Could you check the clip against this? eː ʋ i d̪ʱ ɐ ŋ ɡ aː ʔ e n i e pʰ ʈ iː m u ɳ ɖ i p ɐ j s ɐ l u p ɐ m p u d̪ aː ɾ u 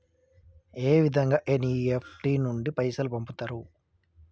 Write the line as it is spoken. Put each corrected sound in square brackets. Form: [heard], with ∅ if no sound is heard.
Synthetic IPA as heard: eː ʋ i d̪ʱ ɐ ŋ ɡ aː ʔ e n i e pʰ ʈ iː [n] u ɳ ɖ i p ɐ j s ɐ l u p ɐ m p u [t̪] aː ɾ u